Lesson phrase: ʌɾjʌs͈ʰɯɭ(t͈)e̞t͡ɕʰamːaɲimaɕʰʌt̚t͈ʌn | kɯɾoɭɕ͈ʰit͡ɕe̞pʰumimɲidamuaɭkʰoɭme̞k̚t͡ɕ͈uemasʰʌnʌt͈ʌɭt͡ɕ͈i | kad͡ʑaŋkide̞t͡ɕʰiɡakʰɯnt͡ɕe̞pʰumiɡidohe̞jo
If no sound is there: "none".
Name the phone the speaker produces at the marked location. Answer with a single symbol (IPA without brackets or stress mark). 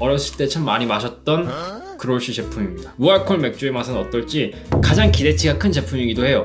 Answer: t͈